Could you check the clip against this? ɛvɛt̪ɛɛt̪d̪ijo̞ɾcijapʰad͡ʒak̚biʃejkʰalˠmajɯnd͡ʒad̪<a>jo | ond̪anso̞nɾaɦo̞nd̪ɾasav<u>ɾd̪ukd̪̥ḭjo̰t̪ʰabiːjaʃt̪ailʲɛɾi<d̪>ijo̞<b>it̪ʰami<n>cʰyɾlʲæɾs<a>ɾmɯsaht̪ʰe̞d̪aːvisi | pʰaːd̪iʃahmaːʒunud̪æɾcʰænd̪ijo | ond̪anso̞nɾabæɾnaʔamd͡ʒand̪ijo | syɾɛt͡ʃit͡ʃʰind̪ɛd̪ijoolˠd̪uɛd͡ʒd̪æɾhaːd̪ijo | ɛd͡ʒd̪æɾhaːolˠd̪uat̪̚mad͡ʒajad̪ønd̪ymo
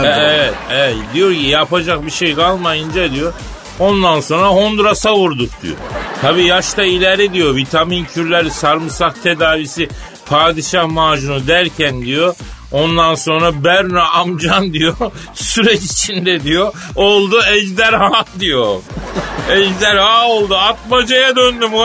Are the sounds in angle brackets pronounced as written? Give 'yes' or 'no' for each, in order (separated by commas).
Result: no, yes, yes, no, yes, yes